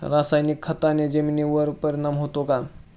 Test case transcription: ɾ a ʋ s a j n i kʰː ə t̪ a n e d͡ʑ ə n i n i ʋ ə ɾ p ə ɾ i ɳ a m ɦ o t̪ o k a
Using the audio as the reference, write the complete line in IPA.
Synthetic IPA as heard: ɾ a s a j n i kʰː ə t̪ a n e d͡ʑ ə m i n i ʋ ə ɾ p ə ɾ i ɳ a m ɦ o t̪ o k a

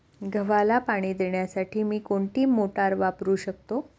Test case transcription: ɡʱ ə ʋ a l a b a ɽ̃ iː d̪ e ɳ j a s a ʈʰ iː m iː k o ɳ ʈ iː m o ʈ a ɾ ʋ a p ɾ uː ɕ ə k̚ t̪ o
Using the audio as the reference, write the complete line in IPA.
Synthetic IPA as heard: ɡʱ ə ʋ a l a p a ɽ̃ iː d̪ e ɳ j a s a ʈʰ iː m iː k o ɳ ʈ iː m o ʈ a ɾ ʋ a p ɾ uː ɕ ə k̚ t̪ o

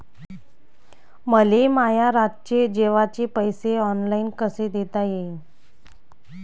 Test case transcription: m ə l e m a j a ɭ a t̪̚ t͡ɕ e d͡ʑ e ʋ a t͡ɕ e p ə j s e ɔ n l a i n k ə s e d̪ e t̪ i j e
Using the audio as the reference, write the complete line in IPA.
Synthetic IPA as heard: m ə l e m a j a ɾ a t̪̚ t͡ɕ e d͡ʑ e ʋ a t͡ɕ e p ə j s e ɔ n l a i n k ə s e d̪ e t̪ a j e

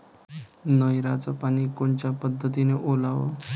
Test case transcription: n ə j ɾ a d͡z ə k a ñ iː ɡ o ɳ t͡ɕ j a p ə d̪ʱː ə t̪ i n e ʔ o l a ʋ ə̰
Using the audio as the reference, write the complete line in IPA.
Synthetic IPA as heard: n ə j ɾ a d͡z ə p a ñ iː k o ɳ t͡ɕ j a p ə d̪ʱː ə t̪ i n e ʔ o l a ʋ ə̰

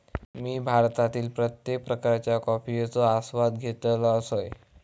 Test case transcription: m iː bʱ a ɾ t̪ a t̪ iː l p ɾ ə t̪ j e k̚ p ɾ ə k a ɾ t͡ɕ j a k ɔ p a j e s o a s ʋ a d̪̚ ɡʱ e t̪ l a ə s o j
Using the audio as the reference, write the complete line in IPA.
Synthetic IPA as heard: m iː bʱ a ɾ t̪ a t̪ iː l p ɾ ə t̪ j e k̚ p ɾ ə k a ɾ t͡ɕ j a k ɔ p i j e t͡s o a s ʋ a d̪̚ ɡʱ e t̪ l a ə s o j

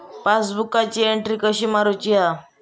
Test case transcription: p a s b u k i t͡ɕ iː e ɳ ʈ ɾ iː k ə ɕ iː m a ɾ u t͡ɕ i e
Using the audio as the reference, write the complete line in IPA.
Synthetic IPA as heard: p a s b u k a t͡ɕ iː e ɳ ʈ ɾ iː k ə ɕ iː m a ɾ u t͡ɕ i a

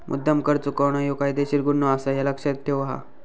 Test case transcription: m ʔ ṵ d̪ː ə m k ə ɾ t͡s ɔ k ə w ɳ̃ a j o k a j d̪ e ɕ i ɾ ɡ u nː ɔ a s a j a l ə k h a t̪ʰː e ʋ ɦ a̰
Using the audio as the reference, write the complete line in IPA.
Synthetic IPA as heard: m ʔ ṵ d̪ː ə m k ə ɾ t͡s u k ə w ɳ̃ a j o k a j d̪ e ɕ i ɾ ɡ u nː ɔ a s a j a l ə k ʂ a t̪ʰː e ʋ ɦ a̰

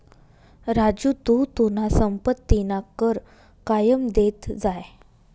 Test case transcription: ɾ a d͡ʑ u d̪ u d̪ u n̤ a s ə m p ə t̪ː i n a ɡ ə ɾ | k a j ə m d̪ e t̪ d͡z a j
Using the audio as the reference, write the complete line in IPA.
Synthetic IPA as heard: ɾ a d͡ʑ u t̪ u t̪ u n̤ a s ə m p ə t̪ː i n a k ə ɾ | k a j ə m d̪ e t̪ d͡z a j

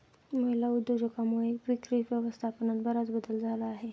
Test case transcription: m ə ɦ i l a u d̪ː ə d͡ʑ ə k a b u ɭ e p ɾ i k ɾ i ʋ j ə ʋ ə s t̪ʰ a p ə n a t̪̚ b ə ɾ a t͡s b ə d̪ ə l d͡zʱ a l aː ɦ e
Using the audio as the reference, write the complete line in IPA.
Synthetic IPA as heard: m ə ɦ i l a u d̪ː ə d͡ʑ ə k a m u ɭ e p ɾ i k ɾ i ʋ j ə ʋ ə s t̪ʰ a p ə n a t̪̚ b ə ɾ a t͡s b ə d̪ ə l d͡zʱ a l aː ɦ e

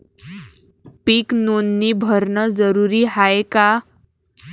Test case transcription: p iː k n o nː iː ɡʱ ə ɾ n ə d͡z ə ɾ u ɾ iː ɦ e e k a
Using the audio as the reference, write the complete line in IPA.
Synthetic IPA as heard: p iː k n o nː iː bʱ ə ɾ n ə d͡z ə ɾ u ɾ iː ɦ a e k a

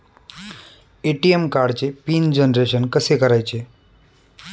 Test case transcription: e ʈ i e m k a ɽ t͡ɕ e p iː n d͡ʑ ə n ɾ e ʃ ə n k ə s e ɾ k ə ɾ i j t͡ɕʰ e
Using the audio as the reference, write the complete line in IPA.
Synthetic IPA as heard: e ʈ i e m k a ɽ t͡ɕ e p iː n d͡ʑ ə n ɾ e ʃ ə n k ə s e k ə ɾ a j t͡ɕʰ e

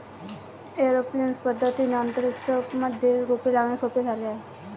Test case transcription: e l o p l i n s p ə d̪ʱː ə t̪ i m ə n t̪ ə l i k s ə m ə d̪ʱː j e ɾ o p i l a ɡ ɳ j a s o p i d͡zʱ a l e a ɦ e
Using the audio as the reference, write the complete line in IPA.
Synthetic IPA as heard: e ɾ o p l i n s p ə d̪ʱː ə t̪ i n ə n t̪ ə ɾ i k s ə m ə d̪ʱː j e ɾ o p i l a ɡ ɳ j a s o p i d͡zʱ a l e a ɦ e

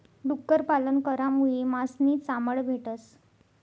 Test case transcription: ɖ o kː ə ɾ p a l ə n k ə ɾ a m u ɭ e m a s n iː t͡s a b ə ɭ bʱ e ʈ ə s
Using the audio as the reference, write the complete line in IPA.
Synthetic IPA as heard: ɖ u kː ə ɾ p a l ə n k ə ɾ a m u ɭ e m a s n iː t͡s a m ə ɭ bʱ e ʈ ə s

